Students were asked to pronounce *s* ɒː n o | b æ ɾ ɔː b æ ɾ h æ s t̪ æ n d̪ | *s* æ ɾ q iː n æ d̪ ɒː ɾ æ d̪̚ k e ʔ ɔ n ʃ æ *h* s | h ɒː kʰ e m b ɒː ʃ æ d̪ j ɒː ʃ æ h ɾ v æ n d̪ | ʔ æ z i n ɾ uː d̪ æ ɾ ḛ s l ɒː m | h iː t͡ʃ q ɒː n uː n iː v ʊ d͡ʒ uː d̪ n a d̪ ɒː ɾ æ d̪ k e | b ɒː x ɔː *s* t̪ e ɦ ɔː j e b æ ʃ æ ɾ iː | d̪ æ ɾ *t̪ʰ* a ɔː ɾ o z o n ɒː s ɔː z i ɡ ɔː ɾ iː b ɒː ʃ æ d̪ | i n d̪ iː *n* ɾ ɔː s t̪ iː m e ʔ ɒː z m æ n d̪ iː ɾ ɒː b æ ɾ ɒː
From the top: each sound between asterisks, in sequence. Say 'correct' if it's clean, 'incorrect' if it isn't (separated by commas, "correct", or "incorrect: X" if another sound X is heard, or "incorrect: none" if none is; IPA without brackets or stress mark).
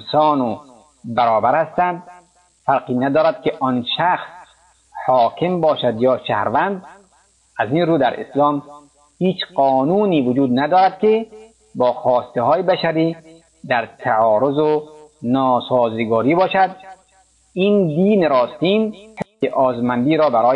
correct, incorrect: f, incorrect: x, correct, correct, correct